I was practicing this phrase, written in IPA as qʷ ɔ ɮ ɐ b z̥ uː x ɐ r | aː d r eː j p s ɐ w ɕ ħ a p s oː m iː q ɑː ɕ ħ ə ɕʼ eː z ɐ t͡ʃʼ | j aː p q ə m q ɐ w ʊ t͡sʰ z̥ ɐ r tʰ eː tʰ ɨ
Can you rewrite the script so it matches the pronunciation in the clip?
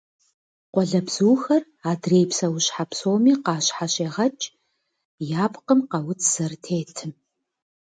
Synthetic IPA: qʷ ɔ ɮ ɐ b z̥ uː x ɐ r | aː d r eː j p s ɐ w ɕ ħ a p s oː m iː q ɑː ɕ ħ a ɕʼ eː ʁ ɐ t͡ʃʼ | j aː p q ə m q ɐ w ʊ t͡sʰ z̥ ɐ r tʰ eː tʰ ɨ